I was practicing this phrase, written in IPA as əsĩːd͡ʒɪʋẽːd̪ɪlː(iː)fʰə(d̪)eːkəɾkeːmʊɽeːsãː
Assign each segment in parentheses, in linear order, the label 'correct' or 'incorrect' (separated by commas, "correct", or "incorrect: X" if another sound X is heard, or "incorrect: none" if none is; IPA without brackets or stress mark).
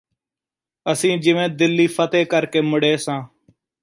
correct, incorrect: t̪